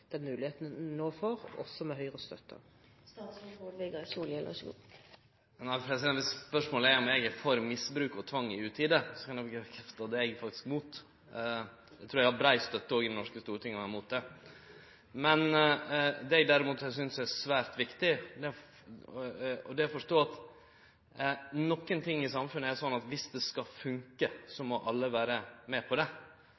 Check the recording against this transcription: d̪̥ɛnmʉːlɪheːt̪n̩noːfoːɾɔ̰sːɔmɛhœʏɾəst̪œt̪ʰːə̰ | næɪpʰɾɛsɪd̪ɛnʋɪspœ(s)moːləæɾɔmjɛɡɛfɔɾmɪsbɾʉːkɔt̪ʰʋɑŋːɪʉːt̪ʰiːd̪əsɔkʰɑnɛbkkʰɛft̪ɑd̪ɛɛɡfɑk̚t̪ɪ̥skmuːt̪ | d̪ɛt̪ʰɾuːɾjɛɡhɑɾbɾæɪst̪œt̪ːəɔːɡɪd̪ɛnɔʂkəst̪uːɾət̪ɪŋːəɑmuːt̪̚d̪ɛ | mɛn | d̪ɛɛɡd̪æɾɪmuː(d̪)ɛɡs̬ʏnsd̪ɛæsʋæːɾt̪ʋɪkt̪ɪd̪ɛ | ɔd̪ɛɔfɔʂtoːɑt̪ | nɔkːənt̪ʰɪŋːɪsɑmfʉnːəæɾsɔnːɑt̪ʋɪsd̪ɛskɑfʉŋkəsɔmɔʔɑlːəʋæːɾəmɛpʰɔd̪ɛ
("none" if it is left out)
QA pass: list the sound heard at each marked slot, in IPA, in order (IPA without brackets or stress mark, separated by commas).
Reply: ʂ, t̪